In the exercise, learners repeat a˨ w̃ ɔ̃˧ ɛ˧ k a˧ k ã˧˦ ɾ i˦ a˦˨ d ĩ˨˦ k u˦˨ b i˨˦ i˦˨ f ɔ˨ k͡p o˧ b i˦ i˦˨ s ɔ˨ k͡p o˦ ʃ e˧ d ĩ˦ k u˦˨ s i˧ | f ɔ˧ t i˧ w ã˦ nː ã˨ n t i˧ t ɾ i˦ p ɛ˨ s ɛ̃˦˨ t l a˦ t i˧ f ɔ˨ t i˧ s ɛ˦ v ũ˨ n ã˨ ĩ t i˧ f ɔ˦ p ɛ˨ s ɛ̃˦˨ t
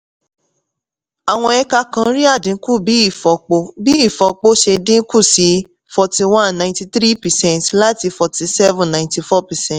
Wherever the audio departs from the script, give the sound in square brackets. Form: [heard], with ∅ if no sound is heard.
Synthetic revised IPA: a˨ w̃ ɔ̃˧ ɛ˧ k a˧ k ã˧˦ ɾ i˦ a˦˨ d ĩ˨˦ k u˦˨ b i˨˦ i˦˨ f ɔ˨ k͡p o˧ b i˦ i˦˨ [f] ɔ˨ k͡p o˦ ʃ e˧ d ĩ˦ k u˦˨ s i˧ | f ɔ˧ t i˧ w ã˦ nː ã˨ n t i˧ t ɾ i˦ p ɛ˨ s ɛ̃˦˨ t l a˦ t i˧ f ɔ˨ t i˧ s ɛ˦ v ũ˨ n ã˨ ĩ t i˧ f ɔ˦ p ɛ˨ s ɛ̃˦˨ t